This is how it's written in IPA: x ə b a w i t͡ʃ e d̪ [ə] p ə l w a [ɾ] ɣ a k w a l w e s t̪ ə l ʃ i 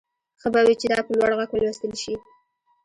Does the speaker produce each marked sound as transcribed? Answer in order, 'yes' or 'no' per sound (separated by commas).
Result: no, no